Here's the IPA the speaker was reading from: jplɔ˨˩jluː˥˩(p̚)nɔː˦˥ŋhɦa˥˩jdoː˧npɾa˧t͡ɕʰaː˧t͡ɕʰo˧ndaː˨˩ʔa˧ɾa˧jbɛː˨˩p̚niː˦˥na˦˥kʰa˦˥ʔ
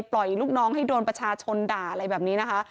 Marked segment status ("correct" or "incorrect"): incorrect